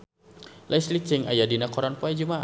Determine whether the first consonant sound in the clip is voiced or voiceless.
voiced